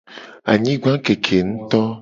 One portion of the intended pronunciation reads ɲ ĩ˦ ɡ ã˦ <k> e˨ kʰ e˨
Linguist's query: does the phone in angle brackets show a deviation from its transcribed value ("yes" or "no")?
no